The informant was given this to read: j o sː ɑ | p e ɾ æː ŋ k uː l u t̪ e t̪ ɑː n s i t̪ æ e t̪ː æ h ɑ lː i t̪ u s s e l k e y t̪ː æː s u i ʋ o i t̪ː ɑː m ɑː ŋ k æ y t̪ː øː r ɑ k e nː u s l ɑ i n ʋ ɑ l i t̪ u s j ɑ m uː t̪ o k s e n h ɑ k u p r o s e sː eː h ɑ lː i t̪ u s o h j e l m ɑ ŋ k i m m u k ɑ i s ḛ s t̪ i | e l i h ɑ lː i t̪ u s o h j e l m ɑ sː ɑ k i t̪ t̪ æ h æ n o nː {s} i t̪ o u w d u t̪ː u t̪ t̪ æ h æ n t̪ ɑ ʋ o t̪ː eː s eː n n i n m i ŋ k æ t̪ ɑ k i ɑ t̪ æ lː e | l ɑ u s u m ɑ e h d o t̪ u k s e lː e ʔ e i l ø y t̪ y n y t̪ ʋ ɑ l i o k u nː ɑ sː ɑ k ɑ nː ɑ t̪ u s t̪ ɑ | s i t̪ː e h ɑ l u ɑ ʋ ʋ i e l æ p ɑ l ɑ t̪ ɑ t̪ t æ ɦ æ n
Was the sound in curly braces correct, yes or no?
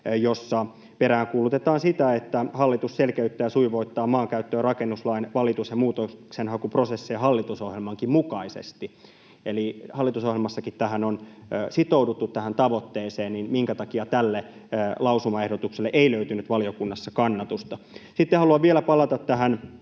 yes